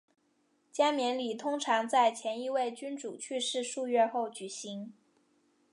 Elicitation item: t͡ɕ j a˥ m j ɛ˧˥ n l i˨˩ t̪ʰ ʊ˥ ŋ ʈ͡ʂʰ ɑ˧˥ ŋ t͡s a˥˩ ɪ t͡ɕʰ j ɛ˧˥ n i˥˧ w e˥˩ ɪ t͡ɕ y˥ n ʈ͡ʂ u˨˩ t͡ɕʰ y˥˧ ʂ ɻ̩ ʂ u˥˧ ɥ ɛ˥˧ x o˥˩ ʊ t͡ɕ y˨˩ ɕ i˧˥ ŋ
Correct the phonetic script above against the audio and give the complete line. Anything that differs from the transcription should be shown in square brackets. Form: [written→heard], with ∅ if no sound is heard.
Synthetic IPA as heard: t͡ɕ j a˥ m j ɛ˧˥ n l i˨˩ t̪ʰ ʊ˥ ŋ ʈ͡ʂʰ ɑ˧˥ ŋ t͡s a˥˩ ɪ t͡ɕʰ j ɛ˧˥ n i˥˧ w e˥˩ ɪ t͡ɕ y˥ n ʈ͡ʂ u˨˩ t͡ɕʰ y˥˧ ʂ ɻ̩ ʂ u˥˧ ɥ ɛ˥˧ x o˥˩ ʊ t͡ɕ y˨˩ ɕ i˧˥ ŋ